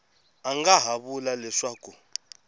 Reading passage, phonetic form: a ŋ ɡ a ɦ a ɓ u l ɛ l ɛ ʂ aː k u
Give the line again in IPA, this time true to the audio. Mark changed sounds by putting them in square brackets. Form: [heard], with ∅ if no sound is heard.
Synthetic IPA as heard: a ŋ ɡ a ɦ a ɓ u l [a] l ɛ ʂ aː k u